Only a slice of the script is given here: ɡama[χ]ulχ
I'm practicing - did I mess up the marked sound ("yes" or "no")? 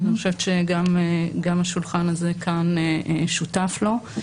yes